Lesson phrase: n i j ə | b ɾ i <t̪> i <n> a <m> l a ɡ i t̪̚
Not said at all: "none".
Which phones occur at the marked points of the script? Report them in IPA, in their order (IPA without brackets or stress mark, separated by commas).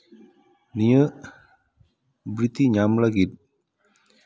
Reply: t̪, ɲ, m